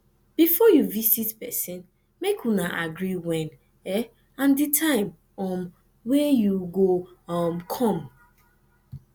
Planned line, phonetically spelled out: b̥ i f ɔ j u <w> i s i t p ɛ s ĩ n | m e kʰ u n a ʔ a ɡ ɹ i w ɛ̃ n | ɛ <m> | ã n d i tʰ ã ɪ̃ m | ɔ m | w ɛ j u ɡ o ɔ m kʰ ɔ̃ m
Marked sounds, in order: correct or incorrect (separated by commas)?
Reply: incorrect, incorrect